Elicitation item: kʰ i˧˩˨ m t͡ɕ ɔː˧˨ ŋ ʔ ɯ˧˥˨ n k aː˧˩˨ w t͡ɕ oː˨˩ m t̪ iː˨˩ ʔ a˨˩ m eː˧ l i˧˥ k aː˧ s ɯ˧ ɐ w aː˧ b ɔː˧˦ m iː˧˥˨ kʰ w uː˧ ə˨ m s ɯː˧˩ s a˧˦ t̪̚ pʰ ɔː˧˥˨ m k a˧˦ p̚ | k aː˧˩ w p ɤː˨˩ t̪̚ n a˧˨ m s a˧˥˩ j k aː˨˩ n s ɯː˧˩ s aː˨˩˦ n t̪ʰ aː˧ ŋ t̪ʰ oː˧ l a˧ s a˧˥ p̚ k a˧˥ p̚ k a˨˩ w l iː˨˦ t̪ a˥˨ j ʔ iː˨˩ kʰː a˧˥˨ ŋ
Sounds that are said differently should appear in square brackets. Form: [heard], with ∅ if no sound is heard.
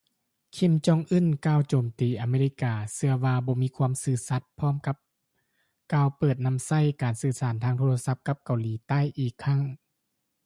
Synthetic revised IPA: kʰ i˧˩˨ m t͡ɕ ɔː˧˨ ŋ ʔ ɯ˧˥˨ n k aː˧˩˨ w t͡ɕ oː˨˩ m t̪ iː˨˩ ʔ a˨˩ m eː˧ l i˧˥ k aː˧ s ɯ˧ ɐ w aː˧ b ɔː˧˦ m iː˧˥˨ kʰ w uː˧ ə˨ m s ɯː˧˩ s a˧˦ t̪̚ pʰ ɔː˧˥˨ m k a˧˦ p̚ | k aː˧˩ w p ɤː˨˩ t̪̚ n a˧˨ m s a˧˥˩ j k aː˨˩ n s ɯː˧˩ s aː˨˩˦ n t̪ʰ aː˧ ŋ t̪ʰ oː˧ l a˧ s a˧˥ p̚ k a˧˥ p̚ k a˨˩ w l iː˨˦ t̪ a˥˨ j ʔ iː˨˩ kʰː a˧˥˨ ŋ